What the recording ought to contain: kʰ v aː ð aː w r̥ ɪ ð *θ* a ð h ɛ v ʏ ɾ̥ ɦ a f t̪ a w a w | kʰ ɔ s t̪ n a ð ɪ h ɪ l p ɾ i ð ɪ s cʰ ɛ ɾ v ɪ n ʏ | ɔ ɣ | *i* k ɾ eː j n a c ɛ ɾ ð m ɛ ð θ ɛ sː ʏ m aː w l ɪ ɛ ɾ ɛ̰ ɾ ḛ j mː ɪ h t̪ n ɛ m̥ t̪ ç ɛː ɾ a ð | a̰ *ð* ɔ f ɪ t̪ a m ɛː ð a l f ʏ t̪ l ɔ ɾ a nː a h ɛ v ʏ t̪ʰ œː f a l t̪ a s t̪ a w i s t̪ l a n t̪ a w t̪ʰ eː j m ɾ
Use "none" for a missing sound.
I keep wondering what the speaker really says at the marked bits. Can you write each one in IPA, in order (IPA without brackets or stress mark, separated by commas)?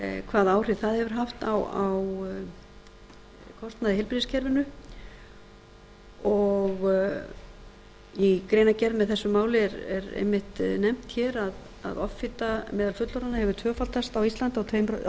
θ, i, ð